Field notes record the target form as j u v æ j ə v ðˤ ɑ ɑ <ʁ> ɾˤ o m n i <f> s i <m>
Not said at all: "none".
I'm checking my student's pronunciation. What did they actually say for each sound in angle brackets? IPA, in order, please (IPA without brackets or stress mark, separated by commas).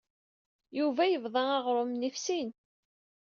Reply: ʁ, f, n